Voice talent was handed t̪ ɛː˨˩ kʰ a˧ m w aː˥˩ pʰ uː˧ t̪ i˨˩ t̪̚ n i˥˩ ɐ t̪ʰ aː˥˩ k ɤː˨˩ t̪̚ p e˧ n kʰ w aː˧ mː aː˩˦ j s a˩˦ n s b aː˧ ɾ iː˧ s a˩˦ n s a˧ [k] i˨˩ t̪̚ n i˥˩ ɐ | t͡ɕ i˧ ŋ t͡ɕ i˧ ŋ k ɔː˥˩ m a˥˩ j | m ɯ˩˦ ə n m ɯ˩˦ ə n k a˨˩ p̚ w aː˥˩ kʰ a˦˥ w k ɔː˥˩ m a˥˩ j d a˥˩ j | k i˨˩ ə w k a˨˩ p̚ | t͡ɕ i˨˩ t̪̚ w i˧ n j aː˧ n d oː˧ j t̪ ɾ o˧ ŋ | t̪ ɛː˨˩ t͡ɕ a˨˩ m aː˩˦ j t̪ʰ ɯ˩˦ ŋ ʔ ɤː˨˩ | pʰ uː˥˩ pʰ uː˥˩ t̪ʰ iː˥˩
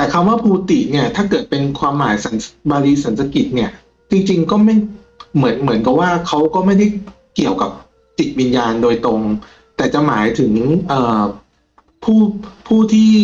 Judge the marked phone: correct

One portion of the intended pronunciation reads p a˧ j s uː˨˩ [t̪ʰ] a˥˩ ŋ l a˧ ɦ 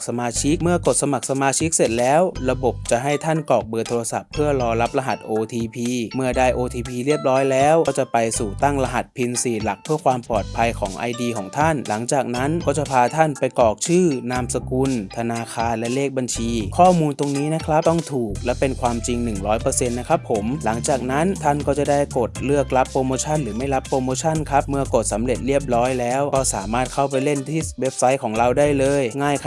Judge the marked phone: incorrect: t̪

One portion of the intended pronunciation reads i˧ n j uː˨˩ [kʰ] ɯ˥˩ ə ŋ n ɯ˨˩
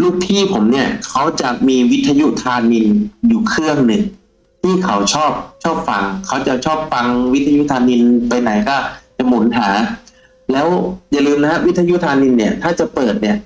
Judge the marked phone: correct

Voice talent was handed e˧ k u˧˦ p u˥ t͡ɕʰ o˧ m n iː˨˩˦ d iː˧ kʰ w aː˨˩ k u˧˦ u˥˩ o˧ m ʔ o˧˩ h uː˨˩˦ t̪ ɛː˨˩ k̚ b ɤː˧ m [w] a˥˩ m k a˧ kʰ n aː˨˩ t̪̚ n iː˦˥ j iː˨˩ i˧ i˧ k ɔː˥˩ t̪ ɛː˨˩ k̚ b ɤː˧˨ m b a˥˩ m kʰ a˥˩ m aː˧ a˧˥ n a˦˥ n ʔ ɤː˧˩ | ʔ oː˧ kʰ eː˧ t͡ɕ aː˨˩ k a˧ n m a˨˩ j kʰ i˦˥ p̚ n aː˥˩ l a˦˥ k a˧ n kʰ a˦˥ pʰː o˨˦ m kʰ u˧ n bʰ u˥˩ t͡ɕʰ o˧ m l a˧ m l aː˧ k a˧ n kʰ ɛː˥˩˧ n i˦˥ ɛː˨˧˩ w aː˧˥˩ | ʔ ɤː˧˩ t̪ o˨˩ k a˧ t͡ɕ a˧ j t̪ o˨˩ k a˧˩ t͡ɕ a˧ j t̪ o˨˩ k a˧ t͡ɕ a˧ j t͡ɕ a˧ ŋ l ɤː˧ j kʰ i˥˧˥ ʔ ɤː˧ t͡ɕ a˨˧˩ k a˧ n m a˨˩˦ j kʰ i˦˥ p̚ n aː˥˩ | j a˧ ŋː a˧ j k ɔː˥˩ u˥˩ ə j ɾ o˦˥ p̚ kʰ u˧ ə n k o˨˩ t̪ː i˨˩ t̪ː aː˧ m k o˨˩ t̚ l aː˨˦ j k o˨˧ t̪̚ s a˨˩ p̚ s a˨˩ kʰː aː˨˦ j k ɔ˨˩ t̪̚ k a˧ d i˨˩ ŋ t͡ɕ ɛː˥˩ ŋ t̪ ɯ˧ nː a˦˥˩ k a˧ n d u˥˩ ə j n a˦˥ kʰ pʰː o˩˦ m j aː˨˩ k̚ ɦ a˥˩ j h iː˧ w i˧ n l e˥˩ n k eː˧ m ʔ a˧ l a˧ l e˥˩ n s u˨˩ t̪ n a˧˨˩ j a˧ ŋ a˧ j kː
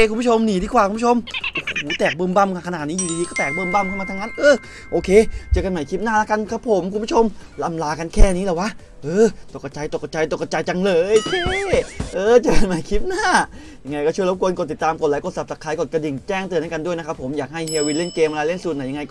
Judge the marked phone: incorrect: b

